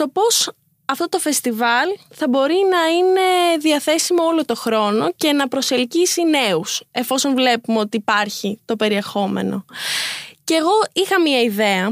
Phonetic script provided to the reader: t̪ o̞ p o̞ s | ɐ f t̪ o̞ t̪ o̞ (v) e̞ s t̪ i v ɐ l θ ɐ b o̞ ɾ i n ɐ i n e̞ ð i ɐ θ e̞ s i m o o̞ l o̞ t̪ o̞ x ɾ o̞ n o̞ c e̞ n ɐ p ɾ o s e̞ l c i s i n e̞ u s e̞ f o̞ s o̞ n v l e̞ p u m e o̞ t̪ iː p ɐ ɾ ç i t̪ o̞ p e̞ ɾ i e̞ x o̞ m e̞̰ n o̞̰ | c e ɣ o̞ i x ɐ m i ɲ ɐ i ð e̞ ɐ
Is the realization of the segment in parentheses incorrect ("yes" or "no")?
yes